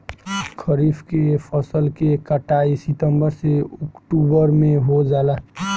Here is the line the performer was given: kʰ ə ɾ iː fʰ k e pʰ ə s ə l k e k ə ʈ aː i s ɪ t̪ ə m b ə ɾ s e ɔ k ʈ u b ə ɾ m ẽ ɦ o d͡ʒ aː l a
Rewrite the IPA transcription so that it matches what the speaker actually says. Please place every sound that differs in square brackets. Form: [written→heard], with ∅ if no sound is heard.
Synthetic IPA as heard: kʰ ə ɾ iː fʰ k e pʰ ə s ə l k e k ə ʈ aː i s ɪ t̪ ə m b ə ɾ s e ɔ k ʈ u b ə ɾ m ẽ ɦ o d͡ʒ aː l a